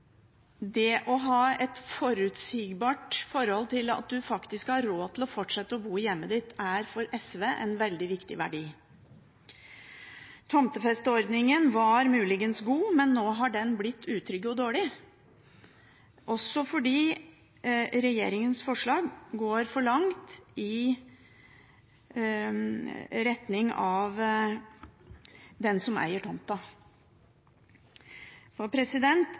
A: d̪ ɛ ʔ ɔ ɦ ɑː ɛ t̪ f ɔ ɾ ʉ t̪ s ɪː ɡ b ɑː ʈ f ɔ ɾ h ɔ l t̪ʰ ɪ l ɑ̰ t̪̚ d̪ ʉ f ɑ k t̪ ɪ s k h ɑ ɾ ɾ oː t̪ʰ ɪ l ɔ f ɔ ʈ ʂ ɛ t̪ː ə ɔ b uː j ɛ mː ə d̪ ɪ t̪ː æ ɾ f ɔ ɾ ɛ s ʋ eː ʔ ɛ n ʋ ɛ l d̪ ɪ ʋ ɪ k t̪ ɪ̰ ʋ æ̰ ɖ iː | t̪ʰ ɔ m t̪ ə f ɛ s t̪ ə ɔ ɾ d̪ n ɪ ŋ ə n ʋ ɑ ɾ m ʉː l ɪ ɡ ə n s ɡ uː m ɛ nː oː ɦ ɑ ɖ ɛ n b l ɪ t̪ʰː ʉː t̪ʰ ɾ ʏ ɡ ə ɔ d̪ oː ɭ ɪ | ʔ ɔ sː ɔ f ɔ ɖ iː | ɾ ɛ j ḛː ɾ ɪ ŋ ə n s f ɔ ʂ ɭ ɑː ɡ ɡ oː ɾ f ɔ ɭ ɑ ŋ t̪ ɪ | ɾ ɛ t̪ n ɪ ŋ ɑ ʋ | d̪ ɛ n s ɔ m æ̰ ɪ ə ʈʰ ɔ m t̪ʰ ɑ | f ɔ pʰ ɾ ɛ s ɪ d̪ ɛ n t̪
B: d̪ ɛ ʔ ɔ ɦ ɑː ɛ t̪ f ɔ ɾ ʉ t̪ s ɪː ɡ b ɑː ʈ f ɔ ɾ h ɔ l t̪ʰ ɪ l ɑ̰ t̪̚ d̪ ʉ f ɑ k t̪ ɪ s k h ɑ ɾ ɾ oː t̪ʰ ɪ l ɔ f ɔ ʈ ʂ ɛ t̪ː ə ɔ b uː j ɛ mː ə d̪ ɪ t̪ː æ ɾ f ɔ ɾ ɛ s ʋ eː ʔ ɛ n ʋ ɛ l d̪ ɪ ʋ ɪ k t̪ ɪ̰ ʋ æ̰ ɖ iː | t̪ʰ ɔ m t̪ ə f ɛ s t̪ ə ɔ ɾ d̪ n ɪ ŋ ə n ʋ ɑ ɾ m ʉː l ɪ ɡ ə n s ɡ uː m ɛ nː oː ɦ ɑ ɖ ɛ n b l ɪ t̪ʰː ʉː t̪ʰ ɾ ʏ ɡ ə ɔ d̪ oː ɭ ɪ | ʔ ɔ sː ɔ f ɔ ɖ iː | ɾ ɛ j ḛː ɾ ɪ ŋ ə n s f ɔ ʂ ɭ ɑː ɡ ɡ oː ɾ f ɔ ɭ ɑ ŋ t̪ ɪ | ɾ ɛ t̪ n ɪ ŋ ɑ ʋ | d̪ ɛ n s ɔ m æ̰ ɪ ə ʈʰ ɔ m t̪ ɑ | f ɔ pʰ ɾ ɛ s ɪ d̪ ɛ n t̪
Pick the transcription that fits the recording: B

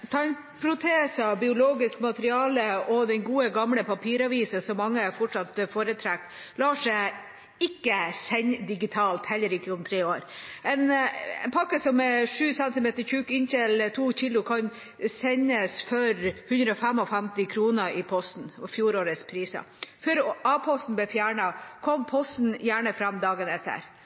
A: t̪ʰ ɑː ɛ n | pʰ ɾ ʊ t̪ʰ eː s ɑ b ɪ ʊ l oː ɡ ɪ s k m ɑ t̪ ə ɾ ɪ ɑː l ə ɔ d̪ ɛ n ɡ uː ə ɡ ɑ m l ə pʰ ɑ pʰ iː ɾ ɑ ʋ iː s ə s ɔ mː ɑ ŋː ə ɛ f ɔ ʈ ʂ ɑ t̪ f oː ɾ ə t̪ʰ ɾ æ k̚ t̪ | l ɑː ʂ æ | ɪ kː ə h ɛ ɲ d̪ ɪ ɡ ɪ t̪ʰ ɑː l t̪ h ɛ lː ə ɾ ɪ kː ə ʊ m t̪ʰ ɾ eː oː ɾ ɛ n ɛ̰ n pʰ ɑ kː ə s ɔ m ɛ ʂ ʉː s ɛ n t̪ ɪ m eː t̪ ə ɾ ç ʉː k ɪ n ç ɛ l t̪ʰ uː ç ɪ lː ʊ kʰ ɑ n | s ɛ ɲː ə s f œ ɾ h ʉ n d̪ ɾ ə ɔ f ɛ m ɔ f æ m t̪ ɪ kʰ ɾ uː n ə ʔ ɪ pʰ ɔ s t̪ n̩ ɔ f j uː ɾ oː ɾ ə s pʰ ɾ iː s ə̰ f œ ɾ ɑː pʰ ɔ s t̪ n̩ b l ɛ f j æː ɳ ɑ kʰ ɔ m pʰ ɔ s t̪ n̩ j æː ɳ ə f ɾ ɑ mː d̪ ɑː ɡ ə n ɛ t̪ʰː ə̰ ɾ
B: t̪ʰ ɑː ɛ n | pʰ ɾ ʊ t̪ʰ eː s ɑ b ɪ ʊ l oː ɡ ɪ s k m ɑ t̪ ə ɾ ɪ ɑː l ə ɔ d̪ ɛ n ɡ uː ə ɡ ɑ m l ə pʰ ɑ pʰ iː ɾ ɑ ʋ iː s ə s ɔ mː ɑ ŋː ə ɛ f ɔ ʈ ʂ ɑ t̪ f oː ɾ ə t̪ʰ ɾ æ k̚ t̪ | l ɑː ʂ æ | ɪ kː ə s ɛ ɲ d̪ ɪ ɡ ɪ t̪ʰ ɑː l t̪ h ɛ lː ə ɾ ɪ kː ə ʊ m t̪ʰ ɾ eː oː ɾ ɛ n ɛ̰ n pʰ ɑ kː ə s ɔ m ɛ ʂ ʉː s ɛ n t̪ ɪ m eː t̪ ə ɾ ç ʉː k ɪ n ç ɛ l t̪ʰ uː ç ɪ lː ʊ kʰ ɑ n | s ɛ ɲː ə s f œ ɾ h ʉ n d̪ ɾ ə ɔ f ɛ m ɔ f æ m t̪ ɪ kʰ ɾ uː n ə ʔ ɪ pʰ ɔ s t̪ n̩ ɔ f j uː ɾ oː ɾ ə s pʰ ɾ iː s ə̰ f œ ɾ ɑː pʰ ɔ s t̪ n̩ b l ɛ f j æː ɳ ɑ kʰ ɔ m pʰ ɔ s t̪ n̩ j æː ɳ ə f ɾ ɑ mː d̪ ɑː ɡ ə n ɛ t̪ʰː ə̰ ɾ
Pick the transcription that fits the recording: B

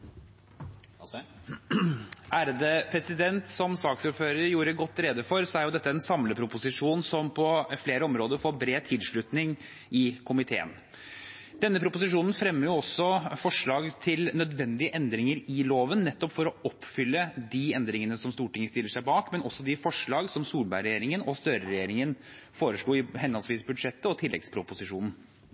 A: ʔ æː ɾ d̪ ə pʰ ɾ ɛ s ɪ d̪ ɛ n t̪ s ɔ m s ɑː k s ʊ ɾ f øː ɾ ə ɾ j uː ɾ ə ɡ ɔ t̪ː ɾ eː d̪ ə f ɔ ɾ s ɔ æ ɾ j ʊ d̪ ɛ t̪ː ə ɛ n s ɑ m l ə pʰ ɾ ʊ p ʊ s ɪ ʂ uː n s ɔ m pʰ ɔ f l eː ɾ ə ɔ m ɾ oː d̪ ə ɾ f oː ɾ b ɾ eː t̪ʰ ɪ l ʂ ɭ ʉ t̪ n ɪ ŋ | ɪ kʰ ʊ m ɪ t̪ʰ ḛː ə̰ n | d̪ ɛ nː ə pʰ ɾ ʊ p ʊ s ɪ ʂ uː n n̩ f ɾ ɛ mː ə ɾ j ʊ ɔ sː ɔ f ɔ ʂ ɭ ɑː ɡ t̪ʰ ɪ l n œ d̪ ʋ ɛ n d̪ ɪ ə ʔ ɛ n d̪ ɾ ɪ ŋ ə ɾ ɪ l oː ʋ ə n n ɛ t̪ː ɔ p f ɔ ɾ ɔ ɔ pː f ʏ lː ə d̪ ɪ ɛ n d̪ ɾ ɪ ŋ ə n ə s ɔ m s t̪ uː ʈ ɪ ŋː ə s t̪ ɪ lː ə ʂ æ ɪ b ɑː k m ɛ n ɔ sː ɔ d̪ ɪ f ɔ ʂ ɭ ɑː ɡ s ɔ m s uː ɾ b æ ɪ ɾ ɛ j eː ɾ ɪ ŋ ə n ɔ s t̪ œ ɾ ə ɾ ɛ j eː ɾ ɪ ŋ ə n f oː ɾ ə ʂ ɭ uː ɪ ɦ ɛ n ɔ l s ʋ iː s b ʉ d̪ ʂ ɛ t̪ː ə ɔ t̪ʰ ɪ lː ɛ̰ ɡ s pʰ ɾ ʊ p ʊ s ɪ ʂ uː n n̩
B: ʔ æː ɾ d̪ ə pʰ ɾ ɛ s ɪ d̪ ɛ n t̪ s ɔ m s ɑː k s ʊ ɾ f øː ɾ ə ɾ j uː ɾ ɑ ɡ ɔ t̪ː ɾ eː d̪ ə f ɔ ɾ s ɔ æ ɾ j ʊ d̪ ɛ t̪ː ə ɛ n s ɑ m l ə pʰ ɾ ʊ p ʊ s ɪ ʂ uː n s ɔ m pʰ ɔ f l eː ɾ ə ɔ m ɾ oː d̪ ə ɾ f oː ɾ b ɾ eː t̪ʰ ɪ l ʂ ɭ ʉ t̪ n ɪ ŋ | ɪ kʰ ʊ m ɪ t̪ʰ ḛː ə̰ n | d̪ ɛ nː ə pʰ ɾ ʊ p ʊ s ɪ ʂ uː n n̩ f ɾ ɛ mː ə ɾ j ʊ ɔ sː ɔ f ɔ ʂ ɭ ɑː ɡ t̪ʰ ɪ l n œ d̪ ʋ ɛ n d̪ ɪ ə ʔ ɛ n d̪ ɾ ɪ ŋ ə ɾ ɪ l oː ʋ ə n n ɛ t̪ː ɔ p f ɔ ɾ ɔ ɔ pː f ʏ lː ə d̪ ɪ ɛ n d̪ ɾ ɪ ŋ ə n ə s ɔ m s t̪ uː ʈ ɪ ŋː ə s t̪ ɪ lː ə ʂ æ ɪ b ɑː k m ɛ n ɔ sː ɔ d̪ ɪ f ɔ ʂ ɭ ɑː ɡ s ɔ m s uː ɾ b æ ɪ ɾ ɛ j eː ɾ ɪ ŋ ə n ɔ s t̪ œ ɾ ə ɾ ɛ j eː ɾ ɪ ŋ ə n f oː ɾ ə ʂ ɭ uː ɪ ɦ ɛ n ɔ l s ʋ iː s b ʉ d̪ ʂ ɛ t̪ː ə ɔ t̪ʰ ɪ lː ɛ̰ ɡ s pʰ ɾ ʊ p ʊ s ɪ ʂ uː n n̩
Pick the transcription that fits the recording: A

